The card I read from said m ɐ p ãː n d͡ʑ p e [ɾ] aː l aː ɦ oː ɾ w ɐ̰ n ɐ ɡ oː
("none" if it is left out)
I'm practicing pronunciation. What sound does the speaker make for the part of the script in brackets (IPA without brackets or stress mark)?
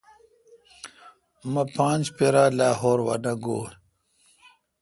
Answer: ɾ